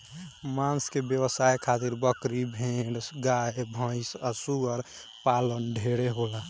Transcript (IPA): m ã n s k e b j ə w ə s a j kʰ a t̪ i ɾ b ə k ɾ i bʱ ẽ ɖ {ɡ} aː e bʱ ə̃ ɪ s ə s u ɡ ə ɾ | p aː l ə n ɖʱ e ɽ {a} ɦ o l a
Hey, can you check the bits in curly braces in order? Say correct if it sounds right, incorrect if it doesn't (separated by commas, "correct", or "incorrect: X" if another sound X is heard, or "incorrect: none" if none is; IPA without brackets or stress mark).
correct, incorrect: e